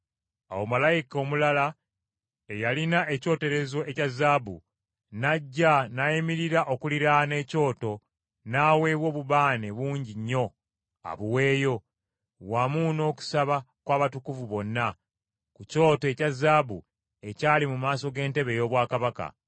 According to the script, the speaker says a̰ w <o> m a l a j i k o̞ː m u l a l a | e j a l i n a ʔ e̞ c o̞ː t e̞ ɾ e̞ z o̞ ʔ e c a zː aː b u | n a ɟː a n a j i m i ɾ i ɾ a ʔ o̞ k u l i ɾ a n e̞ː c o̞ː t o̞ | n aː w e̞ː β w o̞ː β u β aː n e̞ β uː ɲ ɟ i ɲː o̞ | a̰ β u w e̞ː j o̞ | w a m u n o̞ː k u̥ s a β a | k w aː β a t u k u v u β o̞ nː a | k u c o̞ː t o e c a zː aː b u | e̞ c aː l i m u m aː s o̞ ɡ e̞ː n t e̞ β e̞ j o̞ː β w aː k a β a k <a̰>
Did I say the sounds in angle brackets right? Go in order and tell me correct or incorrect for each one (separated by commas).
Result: correct, correct